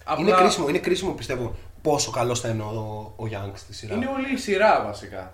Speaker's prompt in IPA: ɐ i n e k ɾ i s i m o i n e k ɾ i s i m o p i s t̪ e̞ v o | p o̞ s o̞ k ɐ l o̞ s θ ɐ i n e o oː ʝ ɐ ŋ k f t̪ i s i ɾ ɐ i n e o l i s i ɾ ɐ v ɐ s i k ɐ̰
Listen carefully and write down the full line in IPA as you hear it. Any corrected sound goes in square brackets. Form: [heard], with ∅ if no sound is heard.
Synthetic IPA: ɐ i n e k ɾ i s i m o i n e k ɾ i s i m o p i s t̪ e̞ v o | p o̞ s o̞ k ɐ l o̞ s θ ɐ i n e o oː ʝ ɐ ŋ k [s] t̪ i s i ɾ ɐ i n e o l i s i ɾ ɐ v ɐ s i k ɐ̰